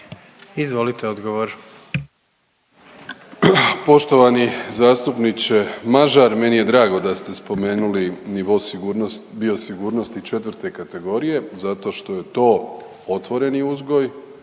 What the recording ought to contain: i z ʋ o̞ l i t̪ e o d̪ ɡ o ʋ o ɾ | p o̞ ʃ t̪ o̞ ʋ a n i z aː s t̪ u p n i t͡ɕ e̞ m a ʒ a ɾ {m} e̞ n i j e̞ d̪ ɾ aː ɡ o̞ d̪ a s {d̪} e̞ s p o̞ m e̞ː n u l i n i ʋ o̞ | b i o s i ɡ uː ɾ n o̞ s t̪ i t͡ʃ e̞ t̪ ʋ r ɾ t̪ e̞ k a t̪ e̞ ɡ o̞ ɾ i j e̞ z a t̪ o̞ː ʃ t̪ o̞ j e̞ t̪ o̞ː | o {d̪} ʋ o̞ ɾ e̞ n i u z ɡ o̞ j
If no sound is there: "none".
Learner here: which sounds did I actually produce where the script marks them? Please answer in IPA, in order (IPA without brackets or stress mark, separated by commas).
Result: m, t̪, t̪